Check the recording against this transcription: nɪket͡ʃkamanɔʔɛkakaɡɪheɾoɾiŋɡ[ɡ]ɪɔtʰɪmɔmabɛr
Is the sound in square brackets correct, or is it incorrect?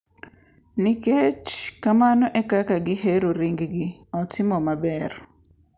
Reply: correct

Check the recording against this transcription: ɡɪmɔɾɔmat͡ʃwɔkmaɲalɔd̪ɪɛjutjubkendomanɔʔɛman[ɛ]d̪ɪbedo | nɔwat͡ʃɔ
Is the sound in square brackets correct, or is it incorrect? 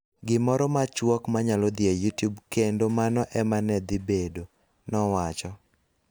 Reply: correct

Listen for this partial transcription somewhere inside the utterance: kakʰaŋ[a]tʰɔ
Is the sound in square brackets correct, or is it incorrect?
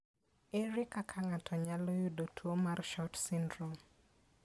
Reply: correct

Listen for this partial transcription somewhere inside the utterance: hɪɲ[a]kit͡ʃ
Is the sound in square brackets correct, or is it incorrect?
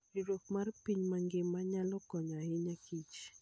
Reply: correct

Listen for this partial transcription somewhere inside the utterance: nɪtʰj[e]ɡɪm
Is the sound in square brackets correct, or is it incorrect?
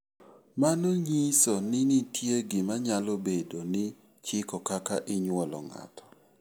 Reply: correct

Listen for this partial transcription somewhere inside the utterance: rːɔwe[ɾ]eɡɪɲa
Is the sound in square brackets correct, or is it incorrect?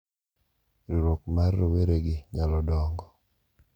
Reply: correct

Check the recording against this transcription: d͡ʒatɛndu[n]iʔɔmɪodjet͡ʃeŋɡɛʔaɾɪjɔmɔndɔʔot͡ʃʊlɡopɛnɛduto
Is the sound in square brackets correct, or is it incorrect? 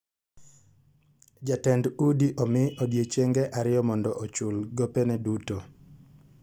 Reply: incorrect: d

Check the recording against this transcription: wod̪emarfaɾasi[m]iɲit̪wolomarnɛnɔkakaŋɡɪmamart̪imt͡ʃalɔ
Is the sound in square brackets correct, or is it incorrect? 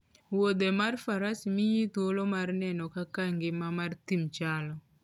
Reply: correct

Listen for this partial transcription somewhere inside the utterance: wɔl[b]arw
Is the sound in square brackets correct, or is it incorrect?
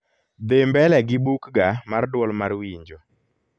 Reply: incorrect: m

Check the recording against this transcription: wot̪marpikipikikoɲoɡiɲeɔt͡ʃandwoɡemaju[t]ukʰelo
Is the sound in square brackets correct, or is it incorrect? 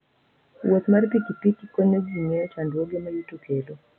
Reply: correct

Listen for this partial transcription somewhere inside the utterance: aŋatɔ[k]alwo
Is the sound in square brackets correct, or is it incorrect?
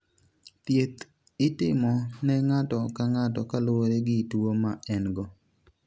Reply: correct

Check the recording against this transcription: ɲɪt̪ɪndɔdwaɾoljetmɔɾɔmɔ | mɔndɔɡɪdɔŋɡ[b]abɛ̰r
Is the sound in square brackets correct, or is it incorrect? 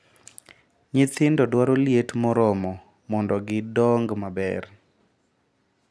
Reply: incorrect: m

